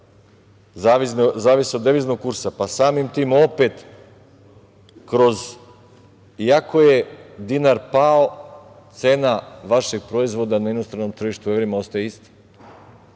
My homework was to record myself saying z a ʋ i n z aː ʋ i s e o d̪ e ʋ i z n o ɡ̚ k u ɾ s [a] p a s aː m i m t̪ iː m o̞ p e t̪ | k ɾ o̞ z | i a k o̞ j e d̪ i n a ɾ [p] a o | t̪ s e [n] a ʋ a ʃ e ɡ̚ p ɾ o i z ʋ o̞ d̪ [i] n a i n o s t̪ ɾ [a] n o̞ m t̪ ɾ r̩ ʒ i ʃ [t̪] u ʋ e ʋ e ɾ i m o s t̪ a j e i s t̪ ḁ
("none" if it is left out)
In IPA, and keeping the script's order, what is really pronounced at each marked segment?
a, p, n, a, a, t̪

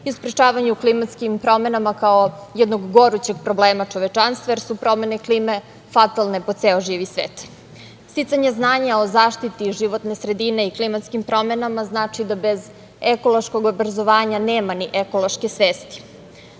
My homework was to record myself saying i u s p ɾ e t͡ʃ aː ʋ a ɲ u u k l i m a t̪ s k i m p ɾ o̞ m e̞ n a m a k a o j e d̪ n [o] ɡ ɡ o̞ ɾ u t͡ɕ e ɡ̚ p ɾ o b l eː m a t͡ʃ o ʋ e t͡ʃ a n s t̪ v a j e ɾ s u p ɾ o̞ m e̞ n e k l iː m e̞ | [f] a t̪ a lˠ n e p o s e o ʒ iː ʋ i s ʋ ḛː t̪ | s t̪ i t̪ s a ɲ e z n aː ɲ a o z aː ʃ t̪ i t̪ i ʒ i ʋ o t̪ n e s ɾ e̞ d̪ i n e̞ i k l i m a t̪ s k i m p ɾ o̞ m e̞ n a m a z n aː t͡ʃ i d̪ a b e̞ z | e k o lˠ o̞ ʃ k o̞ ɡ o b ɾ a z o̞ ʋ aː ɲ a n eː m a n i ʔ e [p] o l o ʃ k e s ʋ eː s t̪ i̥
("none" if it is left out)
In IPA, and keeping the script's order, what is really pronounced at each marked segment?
o, f, k

